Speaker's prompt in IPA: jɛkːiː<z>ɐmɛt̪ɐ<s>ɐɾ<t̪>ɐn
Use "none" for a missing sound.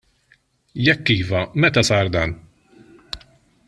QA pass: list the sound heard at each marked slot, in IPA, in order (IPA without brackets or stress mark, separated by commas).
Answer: v, s, d̪